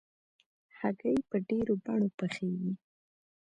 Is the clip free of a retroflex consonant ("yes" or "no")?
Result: no